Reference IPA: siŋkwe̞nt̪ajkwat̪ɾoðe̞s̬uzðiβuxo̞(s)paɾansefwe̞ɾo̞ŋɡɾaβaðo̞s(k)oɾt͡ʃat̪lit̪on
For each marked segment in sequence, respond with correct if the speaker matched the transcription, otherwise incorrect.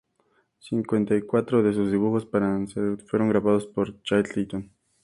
correct, incorrect

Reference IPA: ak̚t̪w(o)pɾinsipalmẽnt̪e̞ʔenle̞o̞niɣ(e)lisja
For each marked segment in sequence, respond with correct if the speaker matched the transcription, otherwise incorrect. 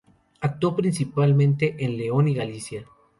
correct, incorrect

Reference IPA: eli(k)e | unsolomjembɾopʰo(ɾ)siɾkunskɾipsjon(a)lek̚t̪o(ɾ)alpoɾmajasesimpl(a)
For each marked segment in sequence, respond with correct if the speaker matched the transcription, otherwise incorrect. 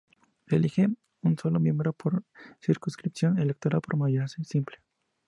incorrect, correct, incorrect, correct, incorrect

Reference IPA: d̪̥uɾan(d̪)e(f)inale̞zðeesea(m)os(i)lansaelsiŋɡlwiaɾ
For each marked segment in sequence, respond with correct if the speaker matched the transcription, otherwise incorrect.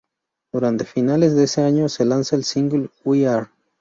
incorrect, correct, incorrect, incorrect

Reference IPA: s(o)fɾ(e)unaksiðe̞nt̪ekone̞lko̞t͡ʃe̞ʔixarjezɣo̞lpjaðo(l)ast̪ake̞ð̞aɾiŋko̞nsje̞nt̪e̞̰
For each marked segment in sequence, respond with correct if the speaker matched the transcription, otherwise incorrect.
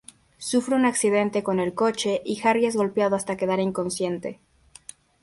incorrect, correct, incorrect

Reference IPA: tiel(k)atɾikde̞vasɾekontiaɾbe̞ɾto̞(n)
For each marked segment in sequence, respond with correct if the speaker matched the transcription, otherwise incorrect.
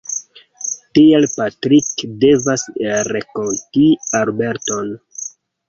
incorrect, correct

